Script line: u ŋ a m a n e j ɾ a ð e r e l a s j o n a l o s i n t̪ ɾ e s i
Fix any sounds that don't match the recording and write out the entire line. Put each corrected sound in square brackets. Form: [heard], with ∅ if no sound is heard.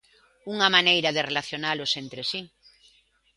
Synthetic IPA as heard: u ŋ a m a n e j ɾ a ð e r e l a [θ] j o n a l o s [e] n t̪ ɾ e s i